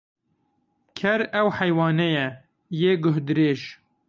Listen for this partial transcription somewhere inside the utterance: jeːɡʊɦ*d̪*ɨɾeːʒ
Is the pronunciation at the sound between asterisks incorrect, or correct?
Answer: correct